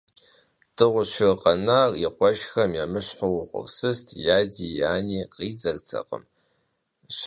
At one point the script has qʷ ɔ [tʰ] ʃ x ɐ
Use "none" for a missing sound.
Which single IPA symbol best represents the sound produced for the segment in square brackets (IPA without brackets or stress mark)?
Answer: none